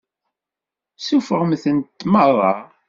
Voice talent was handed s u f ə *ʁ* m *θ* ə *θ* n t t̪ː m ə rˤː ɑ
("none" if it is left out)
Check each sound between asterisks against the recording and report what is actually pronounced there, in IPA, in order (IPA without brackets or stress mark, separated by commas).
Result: ʁ, θ, none